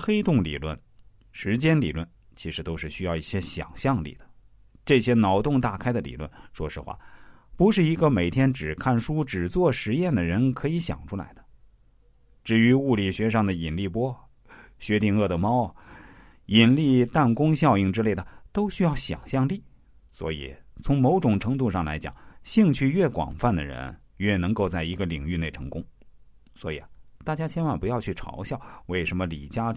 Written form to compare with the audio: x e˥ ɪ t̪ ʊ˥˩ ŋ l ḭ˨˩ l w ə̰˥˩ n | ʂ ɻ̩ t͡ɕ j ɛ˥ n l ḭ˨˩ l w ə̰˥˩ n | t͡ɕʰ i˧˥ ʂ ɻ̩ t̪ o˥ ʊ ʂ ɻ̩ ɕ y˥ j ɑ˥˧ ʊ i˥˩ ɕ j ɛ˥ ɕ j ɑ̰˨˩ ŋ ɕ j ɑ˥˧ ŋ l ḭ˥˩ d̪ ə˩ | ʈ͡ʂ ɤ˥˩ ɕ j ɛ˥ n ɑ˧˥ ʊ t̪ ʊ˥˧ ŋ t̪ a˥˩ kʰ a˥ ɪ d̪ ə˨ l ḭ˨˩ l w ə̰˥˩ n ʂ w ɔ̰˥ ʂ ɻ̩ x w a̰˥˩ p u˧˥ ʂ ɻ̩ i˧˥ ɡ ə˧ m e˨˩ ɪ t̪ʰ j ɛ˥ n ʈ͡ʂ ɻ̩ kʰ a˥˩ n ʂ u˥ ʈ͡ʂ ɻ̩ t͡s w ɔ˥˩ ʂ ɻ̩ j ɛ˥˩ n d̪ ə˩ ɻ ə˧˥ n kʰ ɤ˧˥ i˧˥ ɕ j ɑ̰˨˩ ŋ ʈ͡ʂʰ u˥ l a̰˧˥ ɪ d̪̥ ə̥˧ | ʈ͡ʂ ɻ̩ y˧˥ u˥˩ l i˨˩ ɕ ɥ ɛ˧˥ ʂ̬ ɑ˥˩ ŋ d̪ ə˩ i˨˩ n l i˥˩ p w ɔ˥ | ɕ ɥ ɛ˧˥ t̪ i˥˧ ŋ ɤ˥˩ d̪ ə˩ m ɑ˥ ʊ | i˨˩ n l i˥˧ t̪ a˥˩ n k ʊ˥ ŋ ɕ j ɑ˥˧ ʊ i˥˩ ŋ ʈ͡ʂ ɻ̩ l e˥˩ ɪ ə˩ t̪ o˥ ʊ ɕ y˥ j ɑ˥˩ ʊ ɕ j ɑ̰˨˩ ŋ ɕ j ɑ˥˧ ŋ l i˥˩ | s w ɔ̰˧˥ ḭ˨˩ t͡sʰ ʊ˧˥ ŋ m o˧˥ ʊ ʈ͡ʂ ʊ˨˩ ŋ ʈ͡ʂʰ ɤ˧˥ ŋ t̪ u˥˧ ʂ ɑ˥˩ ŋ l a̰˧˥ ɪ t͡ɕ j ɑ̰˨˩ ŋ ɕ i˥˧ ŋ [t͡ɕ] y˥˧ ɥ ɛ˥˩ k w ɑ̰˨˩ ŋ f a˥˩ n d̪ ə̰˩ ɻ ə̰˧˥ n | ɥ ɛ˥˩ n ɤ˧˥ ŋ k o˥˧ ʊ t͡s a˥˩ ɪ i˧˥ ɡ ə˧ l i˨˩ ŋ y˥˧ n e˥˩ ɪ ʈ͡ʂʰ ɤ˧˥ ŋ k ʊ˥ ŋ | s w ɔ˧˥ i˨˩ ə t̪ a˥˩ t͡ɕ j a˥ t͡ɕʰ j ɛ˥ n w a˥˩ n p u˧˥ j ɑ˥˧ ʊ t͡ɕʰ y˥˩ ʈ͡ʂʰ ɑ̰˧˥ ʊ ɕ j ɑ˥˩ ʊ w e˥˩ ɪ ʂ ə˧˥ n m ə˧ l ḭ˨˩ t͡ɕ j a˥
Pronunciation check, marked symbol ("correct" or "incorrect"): incorrect